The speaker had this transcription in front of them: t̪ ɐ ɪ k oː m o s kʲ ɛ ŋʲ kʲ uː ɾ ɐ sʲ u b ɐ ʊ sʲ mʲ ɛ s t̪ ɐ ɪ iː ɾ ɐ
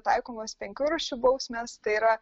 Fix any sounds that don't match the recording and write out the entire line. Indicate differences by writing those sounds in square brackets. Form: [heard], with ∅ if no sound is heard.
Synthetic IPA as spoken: t̪ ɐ ɪ k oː m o s [pʲ] ɛ ŋʲ kʲ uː ɾ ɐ [ʃʲ] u b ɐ ʊ sʲ mʲ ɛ s t̪ ɐ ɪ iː ɾ ɐ